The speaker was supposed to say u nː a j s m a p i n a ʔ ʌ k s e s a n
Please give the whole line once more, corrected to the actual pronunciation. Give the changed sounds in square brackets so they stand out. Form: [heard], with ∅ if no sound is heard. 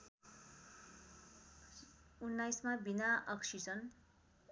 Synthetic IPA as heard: u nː a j s m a [b] i n a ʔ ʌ k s [i] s [ʌ] n